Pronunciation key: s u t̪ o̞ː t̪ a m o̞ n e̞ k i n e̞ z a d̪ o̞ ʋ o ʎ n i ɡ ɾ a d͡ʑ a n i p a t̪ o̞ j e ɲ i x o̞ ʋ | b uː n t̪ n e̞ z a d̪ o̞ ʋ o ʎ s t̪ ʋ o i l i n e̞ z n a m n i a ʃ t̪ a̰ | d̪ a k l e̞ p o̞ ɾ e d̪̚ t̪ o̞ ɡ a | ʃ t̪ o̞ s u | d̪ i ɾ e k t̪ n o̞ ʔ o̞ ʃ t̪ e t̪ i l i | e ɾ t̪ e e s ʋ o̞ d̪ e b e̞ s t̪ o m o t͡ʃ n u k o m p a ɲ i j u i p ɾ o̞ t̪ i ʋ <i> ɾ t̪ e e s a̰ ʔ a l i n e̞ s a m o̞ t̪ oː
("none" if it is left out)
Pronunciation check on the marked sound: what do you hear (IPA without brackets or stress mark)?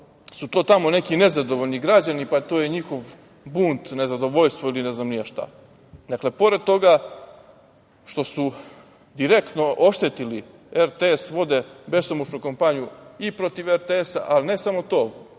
e